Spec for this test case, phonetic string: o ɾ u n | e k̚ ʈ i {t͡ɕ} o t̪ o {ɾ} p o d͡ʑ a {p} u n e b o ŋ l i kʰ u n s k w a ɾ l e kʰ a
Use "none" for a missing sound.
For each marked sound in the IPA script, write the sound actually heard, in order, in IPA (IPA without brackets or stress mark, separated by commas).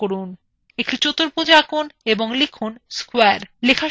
t͡ɕ, ɾ, k